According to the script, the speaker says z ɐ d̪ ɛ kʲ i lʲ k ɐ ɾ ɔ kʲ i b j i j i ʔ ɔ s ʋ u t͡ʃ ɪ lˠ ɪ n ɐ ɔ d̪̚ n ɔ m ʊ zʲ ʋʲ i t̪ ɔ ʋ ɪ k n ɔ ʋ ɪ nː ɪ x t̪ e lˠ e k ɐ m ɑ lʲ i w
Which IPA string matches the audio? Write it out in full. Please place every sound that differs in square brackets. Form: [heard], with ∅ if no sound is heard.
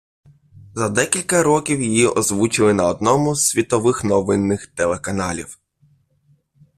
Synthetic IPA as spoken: z ɐ d̪ ɛ kʲ i lʲ k ɐ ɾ ɔ kʲ i [w] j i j i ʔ ɔ [z] ʋ u t͡ʃ ɪ lˠ ɪ n ɐ ɔ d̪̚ n ɔ m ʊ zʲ ʋʲ i t̪ ɔ ʋ ɪ [x] n ɔ ʋ ɪ nː ɪ x t̪ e lˠ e k ɐ [n] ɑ lʲ i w